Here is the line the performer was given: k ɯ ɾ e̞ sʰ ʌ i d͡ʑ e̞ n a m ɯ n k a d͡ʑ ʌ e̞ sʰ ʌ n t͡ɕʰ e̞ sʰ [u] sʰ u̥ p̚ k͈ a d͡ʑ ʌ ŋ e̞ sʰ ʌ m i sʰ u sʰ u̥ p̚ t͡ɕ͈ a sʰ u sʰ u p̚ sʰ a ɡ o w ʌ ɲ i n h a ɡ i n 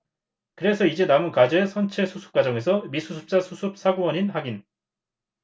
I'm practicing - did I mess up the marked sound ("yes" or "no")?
no